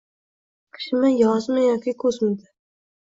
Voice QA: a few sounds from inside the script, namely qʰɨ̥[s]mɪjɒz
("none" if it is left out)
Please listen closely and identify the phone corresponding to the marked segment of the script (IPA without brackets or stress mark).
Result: ʃ